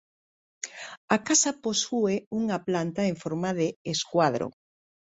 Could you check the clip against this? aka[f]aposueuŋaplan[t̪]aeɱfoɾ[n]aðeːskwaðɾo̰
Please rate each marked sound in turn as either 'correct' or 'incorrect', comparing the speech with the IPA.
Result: incorrect: s, correct, incorrect: m

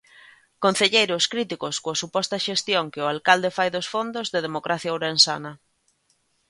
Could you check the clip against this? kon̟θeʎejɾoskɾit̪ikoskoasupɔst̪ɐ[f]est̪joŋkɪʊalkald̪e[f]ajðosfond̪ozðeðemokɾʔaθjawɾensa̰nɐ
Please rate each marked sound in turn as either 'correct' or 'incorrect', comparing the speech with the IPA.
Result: incorrect: ʃ, correct

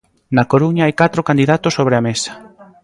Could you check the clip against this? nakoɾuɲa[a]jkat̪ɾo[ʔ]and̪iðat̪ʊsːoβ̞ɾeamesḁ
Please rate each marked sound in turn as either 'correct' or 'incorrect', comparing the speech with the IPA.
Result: correct, incorrect: k

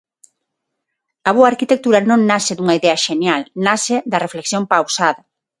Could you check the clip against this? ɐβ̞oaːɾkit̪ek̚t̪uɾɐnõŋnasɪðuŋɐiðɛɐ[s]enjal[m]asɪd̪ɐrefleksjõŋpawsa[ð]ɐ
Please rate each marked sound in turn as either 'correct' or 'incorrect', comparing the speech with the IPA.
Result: incorrect: ʃ, incorrect: n, correct

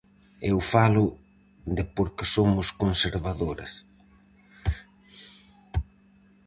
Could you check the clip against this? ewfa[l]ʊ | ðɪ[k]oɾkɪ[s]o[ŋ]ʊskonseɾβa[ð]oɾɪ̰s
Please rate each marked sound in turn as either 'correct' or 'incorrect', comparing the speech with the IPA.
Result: correct, incorrect: p, correct, incorrect: m, correct

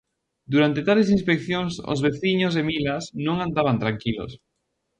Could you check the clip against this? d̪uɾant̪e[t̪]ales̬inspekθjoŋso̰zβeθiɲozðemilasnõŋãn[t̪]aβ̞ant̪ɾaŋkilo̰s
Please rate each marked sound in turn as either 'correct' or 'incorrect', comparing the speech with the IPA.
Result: correct, incorrect: d̪

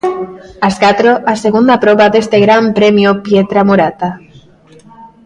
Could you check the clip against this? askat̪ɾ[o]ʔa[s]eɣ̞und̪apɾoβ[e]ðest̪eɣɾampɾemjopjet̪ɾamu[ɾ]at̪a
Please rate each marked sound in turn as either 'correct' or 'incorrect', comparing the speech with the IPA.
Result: correct, correct, incorrect: a, correct

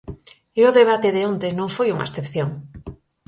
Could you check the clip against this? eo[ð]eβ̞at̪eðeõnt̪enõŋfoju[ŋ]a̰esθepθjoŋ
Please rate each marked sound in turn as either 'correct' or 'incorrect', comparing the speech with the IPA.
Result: correct, correct

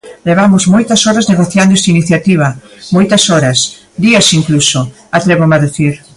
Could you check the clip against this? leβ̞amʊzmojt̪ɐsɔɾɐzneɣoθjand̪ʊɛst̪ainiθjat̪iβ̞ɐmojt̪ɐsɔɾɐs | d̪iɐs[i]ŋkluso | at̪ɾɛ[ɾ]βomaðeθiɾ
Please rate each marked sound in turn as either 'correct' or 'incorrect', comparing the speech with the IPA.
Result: correct, incorrect: none

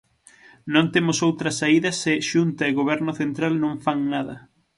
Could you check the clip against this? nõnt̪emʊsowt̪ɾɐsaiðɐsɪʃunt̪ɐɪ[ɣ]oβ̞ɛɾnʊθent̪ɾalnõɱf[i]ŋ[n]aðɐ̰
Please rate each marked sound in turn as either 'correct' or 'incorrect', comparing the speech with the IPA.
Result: correct, incorrect: a, correct

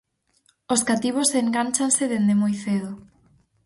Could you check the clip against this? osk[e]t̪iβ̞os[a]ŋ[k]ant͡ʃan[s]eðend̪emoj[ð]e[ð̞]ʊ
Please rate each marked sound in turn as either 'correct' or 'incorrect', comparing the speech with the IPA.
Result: incorrect: a, incorrect: e, incorrect: ɡ, correct, incorrect: θ, correct

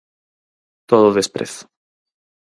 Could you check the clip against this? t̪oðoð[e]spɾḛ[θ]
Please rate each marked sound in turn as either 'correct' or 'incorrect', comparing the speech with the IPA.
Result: correct, correct

